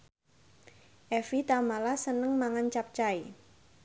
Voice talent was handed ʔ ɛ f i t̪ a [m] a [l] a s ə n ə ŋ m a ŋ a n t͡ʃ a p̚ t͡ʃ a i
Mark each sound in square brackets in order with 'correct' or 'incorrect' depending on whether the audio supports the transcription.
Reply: correct, correct

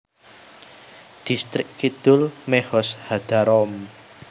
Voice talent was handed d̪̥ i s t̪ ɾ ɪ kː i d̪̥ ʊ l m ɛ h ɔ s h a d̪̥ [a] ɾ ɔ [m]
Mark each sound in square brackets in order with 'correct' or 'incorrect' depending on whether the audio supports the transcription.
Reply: correct, correct

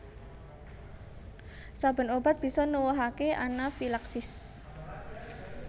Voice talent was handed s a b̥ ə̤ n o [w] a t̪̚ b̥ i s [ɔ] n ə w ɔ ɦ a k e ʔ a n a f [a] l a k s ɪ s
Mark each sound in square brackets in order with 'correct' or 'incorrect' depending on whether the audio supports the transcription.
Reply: incorrect: b, correct, incorrect: i

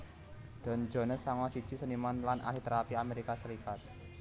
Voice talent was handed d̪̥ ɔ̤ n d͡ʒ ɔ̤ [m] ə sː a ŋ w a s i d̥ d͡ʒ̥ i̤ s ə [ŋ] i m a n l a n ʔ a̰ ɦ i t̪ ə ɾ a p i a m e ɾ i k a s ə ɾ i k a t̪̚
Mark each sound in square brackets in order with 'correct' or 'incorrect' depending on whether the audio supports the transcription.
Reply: incorrect: n, incorrect: n

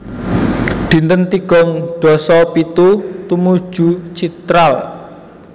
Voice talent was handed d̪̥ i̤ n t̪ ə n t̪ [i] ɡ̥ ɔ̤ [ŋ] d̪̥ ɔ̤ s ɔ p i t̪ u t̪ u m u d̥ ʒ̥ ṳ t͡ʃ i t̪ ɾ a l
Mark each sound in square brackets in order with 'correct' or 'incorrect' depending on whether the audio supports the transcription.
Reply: correct, correct

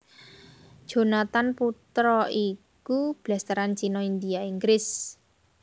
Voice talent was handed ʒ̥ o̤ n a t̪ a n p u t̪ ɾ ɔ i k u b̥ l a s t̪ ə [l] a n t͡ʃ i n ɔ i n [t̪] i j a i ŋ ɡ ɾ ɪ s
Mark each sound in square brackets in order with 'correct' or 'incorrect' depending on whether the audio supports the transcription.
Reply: incorrect: ɾ, incorrect: d̪

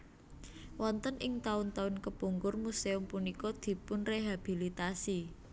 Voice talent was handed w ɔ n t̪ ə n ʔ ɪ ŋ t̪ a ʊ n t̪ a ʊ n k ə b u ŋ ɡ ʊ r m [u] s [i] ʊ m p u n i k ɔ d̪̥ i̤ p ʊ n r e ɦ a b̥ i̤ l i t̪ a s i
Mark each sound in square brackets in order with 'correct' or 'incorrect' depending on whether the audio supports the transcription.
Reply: correct, incorrect: e

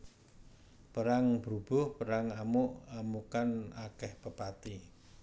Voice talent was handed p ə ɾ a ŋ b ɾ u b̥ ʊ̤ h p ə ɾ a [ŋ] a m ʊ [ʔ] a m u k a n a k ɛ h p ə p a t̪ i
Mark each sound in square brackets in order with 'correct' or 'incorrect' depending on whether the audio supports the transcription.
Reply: correct, correct

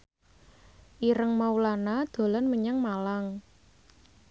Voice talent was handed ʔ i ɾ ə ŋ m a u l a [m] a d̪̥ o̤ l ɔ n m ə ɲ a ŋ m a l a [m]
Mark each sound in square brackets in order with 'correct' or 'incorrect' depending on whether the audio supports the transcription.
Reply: incorrect: n, incorrect: ŋ

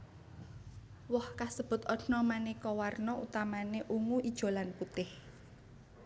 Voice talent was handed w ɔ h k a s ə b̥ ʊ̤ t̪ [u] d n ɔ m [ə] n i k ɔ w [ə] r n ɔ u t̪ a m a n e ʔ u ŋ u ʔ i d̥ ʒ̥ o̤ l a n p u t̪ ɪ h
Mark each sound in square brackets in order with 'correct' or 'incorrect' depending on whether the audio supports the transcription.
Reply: incorrect: ɔ, incorrect: a, incorrect: a

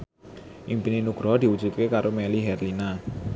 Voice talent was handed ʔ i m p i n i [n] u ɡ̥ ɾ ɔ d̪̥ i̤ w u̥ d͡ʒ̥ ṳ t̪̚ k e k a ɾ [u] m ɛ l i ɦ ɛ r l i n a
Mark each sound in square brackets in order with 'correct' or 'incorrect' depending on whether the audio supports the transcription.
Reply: correct, incorrect: o

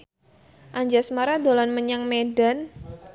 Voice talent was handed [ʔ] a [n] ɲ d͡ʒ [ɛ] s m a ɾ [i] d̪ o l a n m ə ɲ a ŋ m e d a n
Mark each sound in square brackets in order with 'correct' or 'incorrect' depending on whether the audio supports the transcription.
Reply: correct, incorrect: none, incorrect: a, incorrect: a

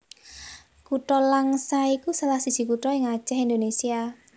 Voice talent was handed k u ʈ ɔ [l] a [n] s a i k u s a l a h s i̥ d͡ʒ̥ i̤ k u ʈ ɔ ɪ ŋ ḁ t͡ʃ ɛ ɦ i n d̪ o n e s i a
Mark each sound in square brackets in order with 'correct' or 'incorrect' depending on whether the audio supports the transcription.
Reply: correct, incorrect: ŋ

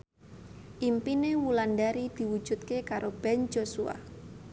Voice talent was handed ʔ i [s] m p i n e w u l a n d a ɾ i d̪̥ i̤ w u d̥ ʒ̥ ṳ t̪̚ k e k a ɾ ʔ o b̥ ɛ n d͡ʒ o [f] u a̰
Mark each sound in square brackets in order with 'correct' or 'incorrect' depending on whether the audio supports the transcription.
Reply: incorrect: none, incorrect: s

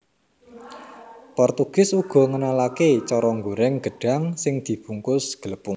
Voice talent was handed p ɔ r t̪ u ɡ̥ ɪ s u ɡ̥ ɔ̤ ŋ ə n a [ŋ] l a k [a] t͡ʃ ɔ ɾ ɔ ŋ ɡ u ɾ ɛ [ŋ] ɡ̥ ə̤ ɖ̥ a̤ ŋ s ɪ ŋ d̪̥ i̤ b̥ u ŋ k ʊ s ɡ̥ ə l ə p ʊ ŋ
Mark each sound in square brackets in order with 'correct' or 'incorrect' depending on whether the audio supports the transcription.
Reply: incorrect: none, incorrect: e, correct

